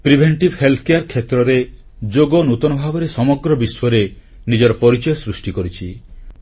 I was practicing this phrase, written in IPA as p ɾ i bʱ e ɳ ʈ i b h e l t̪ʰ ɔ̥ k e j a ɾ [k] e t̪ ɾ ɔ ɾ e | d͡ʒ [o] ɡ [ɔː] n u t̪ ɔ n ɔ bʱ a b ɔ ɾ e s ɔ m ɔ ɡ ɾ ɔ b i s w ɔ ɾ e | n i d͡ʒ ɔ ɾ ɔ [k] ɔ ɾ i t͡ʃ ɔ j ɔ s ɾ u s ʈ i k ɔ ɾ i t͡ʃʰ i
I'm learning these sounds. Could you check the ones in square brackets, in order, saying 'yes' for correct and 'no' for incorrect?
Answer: no, yes, no, no

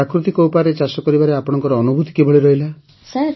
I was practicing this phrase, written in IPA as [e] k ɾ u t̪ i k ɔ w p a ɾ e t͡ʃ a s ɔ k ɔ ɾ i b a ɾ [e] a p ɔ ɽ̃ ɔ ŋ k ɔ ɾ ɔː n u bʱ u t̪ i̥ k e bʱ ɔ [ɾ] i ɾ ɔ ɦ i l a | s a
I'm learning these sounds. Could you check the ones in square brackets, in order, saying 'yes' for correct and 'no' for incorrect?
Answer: no, yes, no

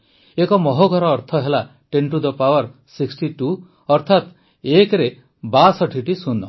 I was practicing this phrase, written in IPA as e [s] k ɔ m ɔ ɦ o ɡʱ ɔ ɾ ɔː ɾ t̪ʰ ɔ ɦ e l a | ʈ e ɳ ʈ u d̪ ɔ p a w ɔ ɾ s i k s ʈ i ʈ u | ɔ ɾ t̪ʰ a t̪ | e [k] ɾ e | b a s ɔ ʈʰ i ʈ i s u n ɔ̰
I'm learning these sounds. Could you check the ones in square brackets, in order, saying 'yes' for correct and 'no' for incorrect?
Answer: no, yes

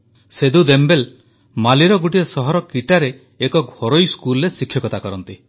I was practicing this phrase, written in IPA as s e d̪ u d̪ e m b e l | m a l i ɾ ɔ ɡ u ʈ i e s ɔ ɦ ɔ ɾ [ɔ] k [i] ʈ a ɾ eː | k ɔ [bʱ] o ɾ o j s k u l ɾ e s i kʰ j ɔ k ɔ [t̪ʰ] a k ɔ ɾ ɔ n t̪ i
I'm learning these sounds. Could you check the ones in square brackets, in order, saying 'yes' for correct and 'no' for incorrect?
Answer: yes, yes, no, no

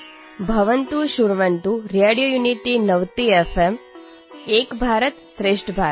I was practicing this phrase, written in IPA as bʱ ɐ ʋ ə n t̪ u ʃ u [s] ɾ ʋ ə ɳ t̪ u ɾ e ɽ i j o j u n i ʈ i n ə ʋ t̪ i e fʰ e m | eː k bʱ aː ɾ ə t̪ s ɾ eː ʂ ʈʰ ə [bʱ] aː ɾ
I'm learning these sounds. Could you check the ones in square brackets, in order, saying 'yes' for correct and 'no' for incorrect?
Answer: no, yes

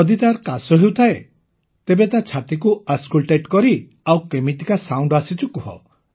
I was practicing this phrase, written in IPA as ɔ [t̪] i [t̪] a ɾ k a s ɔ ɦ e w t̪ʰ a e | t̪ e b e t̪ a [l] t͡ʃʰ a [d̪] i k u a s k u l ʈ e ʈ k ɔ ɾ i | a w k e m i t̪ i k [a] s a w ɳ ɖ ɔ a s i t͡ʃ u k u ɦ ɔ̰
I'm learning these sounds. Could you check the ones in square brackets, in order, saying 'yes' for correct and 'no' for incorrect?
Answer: no, yes, no, no, yes

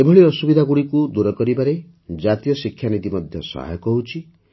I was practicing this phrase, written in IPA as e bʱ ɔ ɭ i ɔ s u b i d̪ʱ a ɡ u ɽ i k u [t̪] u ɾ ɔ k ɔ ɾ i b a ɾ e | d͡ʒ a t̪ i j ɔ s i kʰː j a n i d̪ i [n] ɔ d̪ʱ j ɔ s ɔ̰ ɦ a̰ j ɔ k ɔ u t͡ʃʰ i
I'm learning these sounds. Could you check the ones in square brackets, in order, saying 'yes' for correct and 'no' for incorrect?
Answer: no, no

